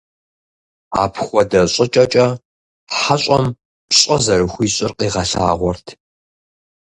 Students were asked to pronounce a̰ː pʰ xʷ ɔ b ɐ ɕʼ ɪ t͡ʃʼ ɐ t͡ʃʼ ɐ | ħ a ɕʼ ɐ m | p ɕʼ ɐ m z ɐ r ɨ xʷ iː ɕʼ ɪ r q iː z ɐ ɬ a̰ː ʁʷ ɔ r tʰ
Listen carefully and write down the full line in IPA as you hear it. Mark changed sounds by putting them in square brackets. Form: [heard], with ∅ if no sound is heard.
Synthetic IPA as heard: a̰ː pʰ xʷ ɔ [d] ɐ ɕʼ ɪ t͡ʃʼ ɐ t͡ʃʼ ɐ | ħ a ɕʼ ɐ m | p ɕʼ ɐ [∅] z ɐ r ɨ xʷ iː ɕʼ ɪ r q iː [ʁ] ɐ ɬ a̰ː ʁʷ ɔ r tʰ